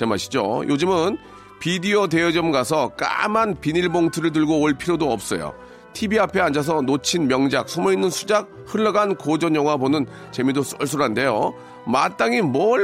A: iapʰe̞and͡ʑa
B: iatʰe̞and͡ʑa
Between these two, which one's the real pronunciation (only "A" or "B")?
A